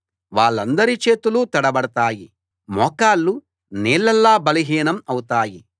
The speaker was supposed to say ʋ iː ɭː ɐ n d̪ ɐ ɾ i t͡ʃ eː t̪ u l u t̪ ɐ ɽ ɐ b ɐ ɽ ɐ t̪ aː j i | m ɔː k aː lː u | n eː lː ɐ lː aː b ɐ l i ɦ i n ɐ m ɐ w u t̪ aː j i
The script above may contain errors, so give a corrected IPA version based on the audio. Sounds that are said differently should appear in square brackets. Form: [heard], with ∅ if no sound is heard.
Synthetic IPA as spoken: ʋ [aː] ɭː ɐ n d̪ ɐ ɾ i t͡ʃ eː t̪ u l u t̪ ɐ ɽ ɐ b ɐ ɽ ɐ t̪ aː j i | m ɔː k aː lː u | n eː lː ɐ lː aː b ɐ l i ɦ [iː] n ɐ m ɐ w u t̪ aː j i